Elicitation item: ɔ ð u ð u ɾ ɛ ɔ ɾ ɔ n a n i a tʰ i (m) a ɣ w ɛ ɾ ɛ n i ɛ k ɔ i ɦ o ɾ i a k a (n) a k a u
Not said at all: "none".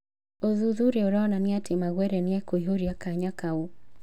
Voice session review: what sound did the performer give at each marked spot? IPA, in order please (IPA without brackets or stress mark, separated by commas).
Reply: m, ɲ